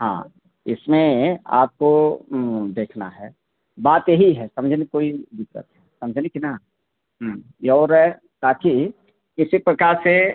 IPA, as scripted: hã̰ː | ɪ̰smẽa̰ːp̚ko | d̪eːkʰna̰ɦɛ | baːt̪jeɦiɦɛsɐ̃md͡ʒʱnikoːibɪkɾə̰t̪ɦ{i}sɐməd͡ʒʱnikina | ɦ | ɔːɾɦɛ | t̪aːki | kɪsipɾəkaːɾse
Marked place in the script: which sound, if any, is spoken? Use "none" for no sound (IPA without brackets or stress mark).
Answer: ɛ